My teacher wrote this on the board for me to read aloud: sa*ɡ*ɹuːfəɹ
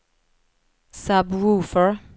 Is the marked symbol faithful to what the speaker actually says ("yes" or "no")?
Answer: no